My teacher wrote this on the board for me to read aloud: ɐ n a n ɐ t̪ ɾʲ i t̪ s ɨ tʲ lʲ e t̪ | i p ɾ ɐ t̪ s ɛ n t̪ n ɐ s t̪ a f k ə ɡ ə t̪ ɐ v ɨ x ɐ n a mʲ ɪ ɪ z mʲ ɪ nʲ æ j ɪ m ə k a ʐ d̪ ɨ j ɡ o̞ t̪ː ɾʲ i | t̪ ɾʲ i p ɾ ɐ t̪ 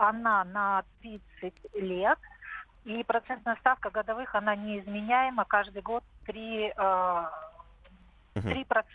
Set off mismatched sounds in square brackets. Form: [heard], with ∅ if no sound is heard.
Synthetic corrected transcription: ɐ n a n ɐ t̪ ɾʲ i t̪ s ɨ tʲ lʲ e t̪ | i p ɾ ɐ t̪ s ɛ n t̪ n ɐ s t̪ a f k ə ɡ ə [d̪] ɐ v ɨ x ɐ n a [nʲ] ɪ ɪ z mʲ ɪ nʲ æ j ɪ m ə k a ʐ d̪ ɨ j ɡ o̞ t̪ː ɾʲ i | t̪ ɾʲ i p ɾ ɐ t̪